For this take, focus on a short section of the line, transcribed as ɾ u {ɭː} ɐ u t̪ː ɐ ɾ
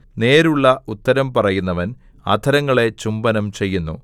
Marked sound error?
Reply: no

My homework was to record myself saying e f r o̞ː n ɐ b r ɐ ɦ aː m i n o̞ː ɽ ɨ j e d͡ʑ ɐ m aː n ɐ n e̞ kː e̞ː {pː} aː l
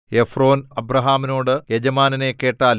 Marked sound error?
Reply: yes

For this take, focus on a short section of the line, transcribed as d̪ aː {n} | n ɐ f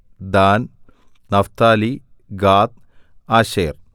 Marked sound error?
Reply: no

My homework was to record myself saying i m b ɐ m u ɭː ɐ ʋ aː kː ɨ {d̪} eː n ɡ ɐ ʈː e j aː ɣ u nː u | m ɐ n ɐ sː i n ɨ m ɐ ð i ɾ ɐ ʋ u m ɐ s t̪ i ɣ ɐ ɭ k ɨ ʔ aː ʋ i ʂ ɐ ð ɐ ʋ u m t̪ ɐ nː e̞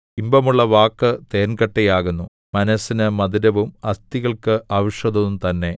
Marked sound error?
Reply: yes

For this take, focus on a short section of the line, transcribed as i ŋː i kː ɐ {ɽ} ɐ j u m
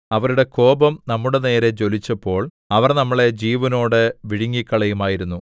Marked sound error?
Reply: yes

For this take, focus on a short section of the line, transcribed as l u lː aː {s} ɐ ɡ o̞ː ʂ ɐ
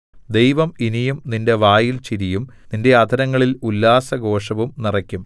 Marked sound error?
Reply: no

